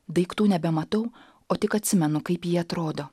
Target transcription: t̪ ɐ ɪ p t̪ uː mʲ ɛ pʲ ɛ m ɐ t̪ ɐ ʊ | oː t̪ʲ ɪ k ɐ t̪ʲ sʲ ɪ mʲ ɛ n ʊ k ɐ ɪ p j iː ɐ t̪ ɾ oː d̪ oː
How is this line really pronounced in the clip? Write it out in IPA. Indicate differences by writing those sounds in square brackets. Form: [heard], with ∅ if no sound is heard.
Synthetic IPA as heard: [d̪] ɐ ɪ [k] t̪ uː [nʲ] ɛ [bʲ] ɛ m ɐ t̪ ɐ ʊ | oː t̪ʲ ɪ k ɐ t̪ʲ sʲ ɪ mʲ ɛ n ʊ k ɐ ɪ p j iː ɐ t̪ ɾ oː d̪ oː